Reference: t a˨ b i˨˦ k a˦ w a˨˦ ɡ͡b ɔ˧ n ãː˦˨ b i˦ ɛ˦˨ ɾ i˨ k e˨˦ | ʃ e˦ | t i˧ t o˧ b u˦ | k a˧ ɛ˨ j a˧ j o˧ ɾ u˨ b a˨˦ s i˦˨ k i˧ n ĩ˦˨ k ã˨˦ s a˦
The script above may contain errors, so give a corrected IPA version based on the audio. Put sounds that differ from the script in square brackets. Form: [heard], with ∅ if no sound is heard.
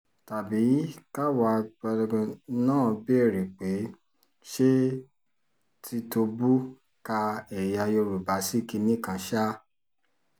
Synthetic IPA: t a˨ b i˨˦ k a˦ w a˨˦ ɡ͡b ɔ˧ n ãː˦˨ b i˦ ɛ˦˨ ɾ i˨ [k͡p] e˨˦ | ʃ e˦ | t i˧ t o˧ b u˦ | k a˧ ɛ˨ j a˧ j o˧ ɾ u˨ b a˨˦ s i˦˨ k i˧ n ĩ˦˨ k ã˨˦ [ʃ] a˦